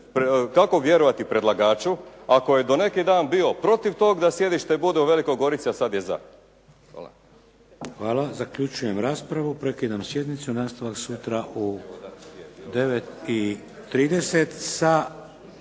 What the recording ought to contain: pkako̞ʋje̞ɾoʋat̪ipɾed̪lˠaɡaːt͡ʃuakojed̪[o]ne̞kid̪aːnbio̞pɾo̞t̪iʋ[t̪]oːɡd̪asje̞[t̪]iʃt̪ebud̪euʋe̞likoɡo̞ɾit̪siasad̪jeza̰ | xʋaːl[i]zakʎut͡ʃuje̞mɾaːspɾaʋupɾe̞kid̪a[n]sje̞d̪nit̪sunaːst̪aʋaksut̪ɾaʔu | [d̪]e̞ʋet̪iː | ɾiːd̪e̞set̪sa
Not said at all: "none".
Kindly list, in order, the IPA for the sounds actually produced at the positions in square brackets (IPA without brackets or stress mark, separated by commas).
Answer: o, t̪, d̪, a, m, d̪